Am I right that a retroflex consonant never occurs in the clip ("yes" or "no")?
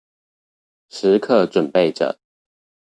no